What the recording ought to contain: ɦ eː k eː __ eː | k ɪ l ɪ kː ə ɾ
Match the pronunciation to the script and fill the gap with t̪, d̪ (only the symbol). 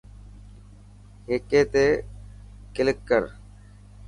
t̪